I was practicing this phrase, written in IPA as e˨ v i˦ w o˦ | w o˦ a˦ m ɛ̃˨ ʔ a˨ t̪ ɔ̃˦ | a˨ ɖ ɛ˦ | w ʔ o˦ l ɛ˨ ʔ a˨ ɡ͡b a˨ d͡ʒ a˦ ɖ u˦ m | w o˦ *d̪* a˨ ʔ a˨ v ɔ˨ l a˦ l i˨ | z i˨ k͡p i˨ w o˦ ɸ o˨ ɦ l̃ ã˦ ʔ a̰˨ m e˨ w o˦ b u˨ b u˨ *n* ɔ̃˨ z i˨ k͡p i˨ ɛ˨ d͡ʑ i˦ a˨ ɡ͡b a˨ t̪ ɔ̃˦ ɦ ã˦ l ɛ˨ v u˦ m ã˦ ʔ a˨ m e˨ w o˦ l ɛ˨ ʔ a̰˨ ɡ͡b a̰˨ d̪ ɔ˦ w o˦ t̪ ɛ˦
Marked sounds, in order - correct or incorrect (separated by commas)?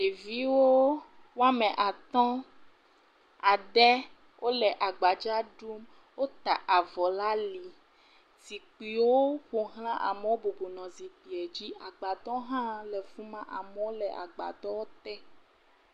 incorrect, correct